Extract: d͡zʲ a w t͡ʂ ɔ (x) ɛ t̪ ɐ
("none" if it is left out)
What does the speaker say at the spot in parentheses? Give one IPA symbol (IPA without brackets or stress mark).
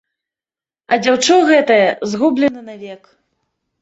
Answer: ɣ